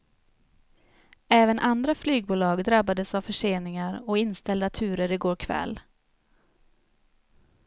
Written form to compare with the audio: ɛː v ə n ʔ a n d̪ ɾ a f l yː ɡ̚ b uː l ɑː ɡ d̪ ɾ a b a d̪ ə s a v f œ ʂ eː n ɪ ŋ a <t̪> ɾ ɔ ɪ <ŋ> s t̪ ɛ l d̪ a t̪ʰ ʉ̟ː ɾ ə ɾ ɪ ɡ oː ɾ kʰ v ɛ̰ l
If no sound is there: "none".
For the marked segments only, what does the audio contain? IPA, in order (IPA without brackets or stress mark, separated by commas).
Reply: none, n